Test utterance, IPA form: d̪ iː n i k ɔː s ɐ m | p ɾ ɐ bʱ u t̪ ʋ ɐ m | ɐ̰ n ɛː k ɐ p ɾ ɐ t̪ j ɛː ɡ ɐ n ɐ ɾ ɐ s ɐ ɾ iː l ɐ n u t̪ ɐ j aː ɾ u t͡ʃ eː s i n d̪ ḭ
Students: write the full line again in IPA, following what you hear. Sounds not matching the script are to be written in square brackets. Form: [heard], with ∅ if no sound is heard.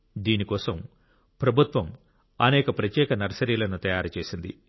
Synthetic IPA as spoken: d̪ iː n i k ɔː s ɐ m | p ɾ ɐ bʱ u t̪ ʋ ɐ m | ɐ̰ n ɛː k ɐ p ɾ ɐ t̪ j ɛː [k] ɐ n ɐ ɾ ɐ s ɐ ɾ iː l ɐ n u t̪ ɐ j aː ɾ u t͡ʃ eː s i n d̪ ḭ